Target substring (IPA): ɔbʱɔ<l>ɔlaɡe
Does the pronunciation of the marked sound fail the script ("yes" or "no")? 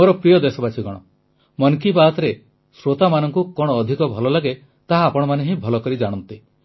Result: no